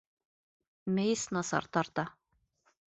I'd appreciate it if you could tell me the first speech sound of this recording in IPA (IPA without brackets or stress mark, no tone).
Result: m